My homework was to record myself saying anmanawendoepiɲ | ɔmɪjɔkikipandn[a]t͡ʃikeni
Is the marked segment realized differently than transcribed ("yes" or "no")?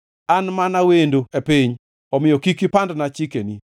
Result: no